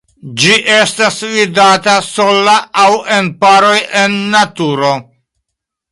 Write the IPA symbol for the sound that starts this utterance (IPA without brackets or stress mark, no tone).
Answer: d͡ʒ